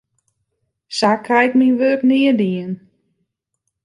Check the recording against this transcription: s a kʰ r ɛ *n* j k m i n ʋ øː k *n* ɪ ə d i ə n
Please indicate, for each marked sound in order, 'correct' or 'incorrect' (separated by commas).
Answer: incorrect, correct